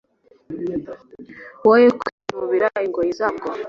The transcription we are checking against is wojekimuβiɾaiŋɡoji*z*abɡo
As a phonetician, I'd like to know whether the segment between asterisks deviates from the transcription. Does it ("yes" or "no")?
no